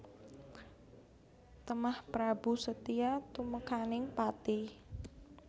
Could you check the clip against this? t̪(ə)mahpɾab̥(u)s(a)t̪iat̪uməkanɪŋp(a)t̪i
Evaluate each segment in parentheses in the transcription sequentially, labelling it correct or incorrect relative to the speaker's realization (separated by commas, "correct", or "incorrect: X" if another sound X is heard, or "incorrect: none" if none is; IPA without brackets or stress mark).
correct, correct, incorrect: ə, correct